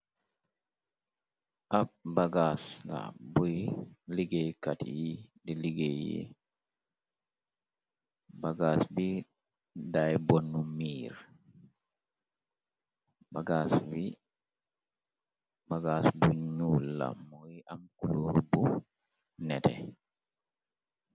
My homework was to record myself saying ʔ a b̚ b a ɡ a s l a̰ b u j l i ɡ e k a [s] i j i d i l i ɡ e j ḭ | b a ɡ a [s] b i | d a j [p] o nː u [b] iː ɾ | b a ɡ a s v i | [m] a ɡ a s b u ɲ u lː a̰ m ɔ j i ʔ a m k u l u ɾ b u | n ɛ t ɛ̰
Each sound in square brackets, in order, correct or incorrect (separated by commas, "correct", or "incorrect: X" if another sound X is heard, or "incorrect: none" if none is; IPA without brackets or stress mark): incorrect: t, correct, incorrect: b, incorrect: m, incorrect: b